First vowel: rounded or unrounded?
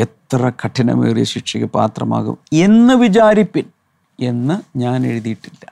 unrounded